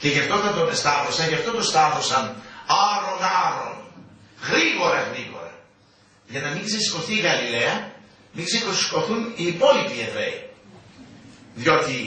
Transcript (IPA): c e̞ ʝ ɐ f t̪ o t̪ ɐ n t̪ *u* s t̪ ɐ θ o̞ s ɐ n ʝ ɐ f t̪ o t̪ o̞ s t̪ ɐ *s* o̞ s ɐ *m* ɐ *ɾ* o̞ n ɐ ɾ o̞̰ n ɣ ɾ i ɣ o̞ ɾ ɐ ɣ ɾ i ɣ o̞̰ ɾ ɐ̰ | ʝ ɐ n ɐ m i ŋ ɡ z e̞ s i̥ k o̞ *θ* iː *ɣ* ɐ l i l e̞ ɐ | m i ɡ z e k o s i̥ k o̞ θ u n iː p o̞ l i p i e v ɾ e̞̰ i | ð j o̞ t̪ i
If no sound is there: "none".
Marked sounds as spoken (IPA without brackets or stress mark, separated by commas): o, θ, n, ɾ, θ, ɣ